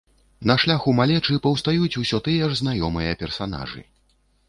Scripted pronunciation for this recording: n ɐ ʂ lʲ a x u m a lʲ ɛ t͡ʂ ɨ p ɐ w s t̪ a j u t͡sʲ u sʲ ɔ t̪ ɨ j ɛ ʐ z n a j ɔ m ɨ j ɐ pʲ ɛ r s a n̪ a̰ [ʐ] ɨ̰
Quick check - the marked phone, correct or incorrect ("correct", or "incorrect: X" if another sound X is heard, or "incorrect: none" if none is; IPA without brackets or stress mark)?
correct